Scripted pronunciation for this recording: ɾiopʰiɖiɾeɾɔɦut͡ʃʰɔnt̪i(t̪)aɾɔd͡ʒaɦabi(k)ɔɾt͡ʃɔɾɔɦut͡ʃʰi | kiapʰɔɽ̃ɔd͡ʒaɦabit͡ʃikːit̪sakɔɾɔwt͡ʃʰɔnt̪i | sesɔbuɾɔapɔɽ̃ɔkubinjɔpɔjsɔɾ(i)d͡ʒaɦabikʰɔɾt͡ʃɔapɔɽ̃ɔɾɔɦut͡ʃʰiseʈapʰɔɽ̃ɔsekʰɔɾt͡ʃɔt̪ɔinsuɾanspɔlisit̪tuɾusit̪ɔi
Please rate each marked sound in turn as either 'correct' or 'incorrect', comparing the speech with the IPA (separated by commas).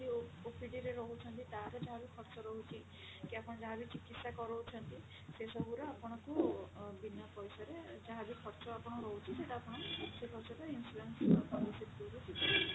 correct, incorrect, incorrect